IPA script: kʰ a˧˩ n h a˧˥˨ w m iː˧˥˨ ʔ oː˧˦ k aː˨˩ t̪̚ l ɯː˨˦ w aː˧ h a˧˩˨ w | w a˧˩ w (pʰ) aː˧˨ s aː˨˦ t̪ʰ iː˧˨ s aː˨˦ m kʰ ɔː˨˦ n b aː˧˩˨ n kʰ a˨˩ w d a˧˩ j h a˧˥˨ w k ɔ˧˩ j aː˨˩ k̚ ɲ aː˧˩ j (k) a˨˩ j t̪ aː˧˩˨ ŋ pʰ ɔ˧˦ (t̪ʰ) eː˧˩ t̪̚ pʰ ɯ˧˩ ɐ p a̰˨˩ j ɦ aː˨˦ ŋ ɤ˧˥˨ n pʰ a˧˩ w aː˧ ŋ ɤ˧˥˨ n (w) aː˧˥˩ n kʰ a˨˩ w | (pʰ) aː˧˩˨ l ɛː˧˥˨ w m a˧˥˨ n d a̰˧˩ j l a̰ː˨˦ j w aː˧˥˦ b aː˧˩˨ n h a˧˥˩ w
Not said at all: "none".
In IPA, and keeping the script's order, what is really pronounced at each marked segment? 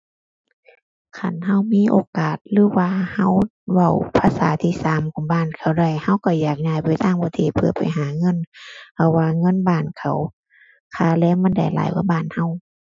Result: pʰ, p, t̪ʰ, b, kʰ

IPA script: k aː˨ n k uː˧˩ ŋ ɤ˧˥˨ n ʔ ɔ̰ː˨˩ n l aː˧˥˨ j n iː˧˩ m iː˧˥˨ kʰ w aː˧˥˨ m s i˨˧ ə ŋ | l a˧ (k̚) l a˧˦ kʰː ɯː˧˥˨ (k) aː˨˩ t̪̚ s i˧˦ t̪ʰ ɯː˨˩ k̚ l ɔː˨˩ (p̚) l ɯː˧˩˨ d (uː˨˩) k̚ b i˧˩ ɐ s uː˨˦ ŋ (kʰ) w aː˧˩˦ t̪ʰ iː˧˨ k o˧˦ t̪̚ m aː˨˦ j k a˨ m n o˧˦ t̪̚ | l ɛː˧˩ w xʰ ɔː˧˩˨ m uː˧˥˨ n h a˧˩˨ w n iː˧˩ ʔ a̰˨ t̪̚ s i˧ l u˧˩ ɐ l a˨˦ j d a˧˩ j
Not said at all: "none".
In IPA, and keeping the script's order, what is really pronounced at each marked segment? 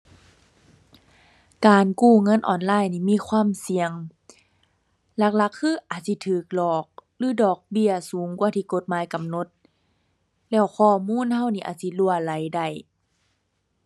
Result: k̚, ʔ, k̚, ɔː˨˩, k

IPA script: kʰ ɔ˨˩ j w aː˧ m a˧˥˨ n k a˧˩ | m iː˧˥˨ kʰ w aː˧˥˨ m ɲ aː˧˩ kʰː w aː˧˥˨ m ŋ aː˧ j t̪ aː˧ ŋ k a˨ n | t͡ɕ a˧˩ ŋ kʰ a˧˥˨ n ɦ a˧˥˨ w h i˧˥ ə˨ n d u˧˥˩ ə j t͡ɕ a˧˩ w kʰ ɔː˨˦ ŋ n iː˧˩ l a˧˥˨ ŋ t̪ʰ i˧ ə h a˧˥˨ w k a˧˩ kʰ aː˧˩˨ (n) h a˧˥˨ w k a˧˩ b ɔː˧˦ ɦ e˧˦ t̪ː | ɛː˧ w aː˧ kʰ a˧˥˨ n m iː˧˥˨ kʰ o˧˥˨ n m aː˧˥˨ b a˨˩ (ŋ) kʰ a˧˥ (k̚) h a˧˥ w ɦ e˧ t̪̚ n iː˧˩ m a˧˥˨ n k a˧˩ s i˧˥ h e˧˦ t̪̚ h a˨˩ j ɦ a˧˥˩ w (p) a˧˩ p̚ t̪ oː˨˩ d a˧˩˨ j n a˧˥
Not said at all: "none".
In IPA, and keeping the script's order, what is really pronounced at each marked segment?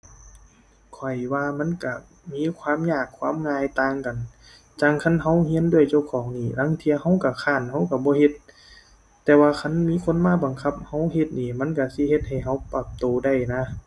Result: n, ŋ, p̚, p

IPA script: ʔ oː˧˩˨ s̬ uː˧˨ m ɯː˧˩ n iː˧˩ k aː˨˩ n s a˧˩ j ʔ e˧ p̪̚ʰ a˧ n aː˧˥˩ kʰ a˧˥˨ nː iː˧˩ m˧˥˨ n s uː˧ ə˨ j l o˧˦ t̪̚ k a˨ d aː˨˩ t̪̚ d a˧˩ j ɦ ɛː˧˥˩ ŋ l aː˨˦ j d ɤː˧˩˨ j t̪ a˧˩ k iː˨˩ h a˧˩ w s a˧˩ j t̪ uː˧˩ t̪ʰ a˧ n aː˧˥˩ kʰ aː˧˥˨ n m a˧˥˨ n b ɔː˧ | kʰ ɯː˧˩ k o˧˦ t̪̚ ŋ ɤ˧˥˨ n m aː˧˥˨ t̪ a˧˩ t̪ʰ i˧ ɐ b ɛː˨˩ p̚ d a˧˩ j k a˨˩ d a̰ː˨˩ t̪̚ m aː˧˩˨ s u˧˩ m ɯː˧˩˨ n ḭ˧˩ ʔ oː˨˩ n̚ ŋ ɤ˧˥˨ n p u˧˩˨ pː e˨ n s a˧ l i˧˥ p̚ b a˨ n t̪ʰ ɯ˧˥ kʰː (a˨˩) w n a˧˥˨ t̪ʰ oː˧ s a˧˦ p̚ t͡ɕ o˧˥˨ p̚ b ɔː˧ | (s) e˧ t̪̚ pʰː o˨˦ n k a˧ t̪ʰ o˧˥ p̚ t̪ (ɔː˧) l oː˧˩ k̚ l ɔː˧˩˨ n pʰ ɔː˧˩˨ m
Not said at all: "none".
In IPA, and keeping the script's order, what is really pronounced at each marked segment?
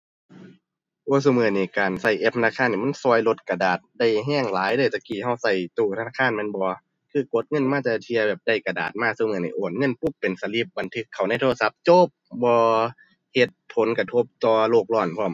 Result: a˨˩, h, ɔː˧

